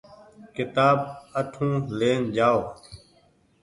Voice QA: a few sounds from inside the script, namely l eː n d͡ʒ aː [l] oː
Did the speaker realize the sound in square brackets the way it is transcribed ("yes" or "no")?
no